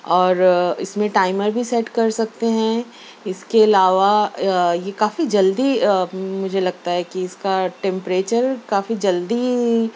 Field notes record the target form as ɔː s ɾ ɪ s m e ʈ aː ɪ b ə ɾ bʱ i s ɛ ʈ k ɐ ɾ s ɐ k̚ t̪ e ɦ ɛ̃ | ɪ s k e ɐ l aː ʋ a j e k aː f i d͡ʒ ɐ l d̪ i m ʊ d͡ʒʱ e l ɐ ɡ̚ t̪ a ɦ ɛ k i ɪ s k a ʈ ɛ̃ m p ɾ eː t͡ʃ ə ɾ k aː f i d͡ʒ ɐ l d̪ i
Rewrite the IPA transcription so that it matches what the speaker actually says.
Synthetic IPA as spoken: ɔː ɾ ɪ s m ẽ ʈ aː ɪ m ə ɾ bʱ i s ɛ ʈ k ɐ ɾ s ɐ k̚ t̪ e ɦ ɛ̃ | ɪ s k e ɐ l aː ʋ a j e k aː f i d͡ʒ ɐ l d̪ i m ʊ d͡ʒʱ e l ɐ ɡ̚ t̪ a ɦ ɛ k i ɪ s k a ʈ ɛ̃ m p ɾ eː t͡ʃ ə ɾ k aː f i d͡ʒ ɐ l d̪ i